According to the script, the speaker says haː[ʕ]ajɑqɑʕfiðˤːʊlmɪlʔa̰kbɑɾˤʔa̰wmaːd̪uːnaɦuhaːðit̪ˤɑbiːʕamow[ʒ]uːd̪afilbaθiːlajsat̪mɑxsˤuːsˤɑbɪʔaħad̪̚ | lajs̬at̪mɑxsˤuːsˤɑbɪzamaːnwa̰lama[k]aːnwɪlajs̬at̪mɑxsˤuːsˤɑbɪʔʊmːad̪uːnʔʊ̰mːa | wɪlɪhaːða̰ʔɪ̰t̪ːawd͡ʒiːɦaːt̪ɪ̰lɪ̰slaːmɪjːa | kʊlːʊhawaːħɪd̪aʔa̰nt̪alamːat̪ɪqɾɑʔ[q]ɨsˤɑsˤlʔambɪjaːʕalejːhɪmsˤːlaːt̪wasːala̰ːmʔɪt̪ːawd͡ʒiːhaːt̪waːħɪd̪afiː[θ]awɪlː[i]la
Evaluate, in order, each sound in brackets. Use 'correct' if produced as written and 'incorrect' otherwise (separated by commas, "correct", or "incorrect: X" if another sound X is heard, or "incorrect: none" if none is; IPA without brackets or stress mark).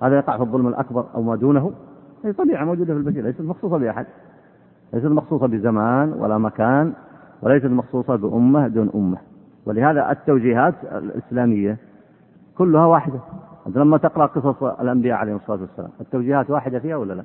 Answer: incorrect: ð, incorrect: d͡ʒ, correct, correct, incorrect: h, incorrect: a